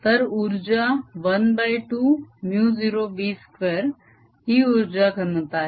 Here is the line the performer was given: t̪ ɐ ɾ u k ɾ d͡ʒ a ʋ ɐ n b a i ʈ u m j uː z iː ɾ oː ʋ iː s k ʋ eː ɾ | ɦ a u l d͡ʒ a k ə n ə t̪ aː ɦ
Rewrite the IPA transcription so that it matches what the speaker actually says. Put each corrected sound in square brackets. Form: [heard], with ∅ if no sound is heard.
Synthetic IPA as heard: t̪ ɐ ɾ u [∅] ɾ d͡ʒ a ʋ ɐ n b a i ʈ u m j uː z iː ɾ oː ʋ iː s k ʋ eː ɾ | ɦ [i] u [ɾ] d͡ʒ a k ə n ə t̪ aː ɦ